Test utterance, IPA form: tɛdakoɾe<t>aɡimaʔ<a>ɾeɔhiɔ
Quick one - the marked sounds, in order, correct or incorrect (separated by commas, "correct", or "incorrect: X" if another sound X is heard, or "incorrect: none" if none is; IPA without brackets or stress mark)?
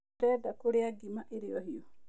incorrect: none, incorrect: e